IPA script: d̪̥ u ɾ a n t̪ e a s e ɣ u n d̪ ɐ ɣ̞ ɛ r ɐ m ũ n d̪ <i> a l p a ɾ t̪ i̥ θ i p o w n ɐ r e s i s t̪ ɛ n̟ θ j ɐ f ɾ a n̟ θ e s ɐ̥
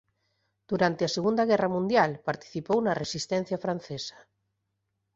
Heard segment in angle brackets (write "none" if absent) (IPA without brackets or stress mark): j